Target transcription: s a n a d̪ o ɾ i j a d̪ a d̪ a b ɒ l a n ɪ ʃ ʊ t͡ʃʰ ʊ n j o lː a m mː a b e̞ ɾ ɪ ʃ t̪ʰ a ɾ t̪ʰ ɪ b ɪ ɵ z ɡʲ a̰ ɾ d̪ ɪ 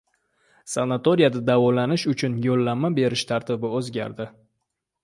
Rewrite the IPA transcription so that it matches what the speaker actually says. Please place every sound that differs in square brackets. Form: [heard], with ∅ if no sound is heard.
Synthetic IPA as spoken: s a n a [t̪] o ɾ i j a d̪ a d̪ a [v] ɒ l a n ɪ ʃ ʊ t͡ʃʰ ʊ n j o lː a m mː a b e̞ ɾ ɪ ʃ t̪ʰ a ɾ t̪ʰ ɪ b ɪ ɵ z ɡʲ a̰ ɾ d̪ ɪ